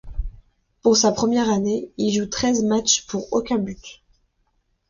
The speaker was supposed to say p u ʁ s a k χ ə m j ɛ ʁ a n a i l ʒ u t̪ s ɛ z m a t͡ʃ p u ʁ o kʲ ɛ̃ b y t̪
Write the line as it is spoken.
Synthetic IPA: p u ʁ s a p χ ə m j ɛ ʁ a n e i l ʒ u t̪ χ ɛ z m a t͡ʃ p u ʁ o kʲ ɛ̃ b y t̪